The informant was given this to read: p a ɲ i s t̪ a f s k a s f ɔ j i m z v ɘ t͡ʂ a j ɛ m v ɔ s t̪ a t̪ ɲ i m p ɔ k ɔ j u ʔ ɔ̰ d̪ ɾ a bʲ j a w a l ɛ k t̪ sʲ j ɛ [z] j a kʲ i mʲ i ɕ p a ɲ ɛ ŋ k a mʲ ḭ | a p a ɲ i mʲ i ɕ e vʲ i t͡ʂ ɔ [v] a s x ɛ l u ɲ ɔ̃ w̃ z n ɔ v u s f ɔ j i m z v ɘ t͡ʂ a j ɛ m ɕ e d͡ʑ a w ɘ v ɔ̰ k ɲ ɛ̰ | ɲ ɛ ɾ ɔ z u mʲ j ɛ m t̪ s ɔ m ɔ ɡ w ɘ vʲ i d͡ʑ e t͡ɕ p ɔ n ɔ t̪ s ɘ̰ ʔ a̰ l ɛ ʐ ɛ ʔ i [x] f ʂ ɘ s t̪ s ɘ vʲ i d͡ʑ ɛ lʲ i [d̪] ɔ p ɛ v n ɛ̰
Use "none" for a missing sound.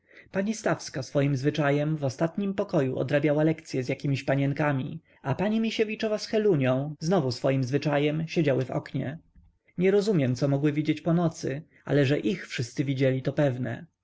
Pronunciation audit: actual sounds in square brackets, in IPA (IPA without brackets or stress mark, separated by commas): z, v, x, t̪